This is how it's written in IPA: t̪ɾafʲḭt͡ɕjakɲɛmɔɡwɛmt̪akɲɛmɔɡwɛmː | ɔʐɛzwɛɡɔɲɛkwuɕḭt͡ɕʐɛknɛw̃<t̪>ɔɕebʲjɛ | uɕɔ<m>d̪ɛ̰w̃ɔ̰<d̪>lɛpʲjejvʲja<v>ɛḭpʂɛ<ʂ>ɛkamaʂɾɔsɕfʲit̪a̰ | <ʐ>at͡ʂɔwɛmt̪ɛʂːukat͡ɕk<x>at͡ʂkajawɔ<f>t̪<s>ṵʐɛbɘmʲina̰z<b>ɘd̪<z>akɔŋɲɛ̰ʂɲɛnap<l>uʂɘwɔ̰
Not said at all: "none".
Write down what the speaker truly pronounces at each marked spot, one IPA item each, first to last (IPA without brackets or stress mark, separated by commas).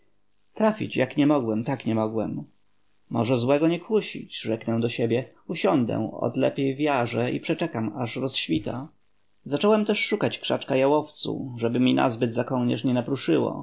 d̪, n, d̪, ʐ, t͡ʂ, z, ʂ, f, s, b, z, ɾ